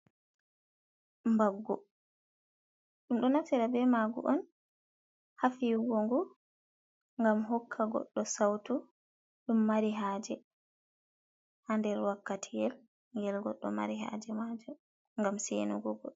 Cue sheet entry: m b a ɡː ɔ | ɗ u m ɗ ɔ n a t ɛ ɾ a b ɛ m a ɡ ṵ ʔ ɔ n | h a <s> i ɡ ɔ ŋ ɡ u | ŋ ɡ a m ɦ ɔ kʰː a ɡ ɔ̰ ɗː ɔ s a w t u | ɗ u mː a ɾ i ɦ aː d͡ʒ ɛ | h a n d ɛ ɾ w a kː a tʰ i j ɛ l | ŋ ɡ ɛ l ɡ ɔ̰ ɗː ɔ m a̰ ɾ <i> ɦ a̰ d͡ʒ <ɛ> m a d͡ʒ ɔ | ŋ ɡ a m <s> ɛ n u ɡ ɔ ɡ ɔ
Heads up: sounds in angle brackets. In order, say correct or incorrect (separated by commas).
incorrect, correct, correct, correct